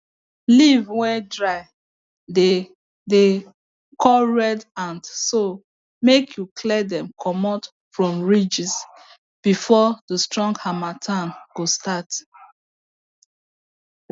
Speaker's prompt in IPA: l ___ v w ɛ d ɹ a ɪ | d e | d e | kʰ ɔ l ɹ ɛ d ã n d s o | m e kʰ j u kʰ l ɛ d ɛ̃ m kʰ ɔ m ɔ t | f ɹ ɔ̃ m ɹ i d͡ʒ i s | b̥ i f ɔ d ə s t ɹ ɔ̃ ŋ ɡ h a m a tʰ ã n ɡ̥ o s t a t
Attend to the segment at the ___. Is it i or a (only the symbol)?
i